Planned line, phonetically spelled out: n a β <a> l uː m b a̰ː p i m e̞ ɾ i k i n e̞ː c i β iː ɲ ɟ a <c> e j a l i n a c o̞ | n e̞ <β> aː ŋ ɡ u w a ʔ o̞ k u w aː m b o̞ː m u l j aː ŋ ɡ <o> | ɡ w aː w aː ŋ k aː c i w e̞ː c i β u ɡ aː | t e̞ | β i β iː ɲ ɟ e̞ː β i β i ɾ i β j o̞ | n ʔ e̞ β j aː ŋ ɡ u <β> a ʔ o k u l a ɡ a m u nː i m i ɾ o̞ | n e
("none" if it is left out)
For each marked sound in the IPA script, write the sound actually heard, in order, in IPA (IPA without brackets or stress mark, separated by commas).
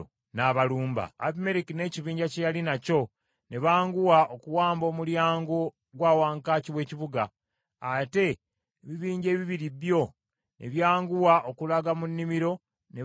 a, c, β, o, w